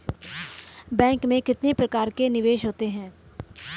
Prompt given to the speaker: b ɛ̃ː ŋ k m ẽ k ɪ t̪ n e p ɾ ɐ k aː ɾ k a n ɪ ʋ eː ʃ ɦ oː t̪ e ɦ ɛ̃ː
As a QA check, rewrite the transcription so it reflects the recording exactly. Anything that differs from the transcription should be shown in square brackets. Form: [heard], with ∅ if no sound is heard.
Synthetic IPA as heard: b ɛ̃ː ŋ k m ẽ k ɪ t̪ n e p ɾ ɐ k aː ɾ k [e] n ɪ ʋ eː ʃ ɦ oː t̪ e ɦ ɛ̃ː